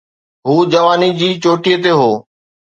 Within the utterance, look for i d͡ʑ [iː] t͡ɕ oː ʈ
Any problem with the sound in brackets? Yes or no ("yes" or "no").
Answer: no